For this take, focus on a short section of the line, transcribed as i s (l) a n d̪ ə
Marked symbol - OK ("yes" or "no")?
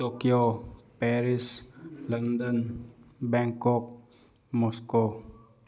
yes